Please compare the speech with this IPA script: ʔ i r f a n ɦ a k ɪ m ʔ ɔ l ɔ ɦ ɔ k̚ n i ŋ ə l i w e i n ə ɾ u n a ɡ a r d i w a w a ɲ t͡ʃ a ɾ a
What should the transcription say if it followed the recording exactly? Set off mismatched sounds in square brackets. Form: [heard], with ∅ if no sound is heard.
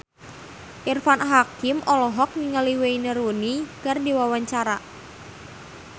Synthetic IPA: ʔ i r f a n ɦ a k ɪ m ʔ ɔ l ɔ ɦ ɔ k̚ n i ŋ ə l i w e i n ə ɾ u n [i] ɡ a r d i w a w a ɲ t͡ʃ a ɾ a